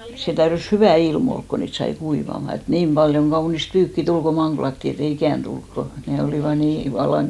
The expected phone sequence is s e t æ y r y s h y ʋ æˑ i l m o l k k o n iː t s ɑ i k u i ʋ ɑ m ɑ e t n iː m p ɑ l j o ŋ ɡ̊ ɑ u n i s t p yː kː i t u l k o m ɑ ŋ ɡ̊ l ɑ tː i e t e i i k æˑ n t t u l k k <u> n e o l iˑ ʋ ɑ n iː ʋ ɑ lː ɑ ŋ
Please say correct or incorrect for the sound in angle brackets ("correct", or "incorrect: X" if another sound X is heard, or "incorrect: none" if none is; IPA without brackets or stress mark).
incorrect: o